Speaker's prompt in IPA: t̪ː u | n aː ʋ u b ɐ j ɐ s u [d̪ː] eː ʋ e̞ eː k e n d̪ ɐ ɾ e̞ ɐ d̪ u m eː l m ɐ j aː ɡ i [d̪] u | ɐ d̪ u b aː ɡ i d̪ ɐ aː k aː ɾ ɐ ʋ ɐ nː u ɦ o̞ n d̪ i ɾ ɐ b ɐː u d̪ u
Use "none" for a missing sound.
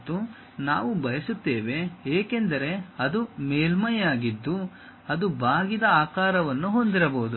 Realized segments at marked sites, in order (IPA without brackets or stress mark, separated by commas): t̪ː, d̪ː